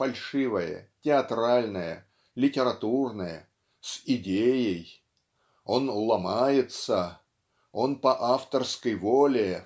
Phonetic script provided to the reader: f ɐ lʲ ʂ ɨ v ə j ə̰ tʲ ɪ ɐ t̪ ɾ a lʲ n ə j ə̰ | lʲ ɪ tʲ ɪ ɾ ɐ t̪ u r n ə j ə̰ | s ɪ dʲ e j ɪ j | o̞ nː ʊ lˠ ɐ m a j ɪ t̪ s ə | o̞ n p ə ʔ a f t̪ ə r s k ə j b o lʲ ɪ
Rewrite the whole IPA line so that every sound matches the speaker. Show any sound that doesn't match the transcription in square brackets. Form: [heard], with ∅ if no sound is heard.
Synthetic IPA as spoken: f ɐ lʲ ʂ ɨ v ə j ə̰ tʲ ɪ ɐ t̪ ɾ a lʲ n ə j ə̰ | lʲ ɪ tʲ ɪ ɾ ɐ t̪ u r n ə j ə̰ | s ɪ dʲ e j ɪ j | o̞ [n] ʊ lˠ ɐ m a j ɪ t̪ s ə | o̞ n p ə ʔ a f t̪ ə r s k ə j [v] o lʲ ɪ